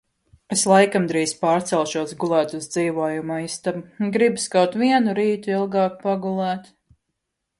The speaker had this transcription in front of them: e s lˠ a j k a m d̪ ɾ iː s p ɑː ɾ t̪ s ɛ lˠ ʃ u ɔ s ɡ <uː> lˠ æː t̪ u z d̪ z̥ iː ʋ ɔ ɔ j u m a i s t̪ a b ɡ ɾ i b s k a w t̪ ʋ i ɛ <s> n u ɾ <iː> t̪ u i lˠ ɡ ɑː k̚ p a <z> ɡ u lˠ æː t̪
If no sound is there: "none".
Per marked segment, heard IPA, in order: u, none, iː, none

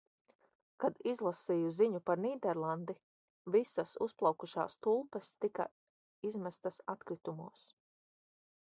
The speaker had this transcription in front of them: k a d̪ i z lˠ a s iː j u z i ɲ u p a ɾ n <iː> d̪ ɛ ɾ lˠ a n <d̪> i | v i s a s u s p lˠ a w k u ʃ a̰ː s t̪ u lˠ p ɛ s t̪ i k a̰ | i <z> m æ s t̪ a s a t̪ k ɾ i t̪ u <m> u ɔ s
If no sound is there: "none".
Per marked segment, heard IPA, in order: iː, d̪, z, m

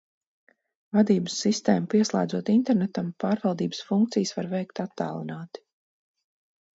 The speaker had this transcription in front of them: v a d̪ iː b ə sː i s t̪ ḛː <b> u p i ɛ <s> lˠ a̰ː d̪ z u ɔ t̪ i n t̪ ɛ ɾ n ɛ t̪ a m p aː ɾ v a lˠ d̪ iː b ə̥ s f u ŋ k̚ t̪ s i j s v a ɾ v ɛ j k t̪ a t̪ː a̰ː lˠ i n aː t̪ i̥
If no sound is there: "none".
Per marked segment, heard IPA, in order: m, s

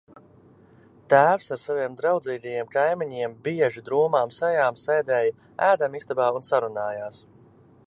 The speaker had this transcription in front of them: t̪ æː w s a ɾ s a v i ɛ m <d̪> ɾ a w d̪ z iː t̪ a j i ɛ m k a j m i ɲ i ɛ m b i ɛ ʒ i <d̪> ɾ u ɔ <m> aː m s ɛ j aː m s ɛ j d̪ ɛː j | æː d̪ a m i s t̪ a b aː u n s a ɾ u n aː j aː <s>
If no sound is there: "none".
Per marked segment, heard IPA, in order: d̪, d̪, m, s

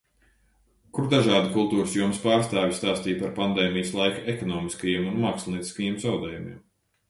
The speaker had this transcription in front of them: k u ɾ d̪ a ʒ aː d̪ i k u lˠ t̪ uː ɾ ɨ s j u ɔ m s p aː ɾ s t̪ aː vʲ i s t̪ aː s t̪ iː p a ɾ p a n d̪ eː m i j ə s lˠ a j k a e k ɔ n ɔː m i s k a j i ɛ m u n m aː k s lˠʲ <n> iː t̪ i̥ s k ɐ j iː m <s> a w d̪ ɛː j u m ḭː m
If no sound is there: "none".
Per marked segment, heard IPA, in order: n, z

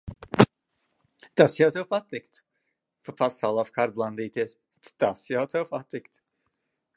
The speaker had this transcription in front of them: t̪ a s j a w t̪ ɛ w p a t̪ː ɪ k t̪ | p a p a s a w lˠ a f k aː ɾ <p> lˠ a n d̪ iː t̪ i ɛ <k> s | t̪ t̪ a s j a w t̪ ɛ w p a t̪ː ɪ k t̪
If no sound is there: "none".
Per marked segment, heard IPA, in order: b, none

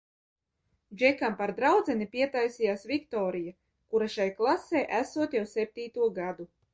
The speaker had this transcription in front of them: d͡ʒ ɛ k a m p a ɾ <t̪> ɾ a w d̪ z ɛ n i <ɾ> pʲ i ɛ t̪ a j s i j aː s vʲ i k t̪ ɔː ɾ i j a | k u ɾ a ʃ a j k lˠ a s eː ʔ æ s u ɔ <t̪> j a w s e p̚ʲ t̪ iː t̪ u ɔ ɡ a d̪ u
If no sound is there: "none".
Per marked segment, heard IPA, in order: d̪, none, t̪

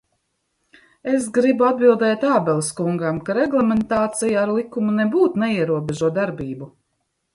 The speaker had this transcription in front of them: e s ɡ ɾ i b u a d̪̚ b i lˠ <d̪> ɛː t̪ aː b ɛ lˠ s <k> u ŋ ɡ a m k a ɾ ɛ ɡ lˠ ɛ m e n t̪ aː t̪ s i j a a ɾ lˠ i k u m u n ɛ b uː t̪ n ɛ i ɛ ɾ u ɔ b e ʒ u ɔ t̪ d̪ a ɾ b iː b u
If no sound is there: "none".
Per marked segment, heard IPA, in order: d̪, k

